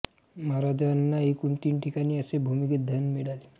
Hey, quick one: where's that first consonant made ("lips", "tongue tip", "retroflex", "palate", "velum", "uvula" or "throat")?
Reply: lips